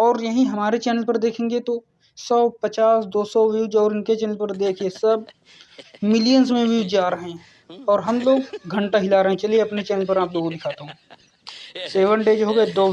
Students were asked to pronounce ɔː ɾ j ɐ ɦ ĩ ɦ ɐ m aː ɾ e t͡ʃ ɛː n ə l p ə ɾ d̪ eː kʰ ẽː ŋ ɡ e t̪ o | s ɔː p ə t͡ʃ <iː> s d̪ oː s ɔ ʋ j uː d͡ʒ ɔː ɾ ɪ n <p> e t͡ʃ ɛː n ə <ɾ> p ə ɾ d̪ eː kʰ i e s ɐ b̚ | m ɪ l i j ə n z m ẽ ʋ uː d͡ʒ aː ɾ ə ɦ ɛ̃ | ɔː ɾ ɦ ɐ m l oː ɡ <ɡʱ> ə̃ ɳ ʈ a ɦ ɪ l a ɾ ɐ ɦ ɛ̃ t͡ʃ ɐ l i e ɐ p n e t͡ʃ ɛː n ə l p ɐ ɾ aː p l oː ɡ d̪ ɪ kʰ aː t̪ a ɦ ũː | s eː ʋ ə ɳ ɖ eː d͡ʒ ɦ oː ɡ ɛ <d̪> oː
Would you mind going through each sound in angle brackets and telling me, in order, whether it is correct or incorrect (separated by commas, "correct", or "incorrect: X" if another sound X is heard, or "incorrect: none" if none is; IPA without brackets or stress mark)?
incorrect: aː, incorrect: k, incorrect: l, correct, correct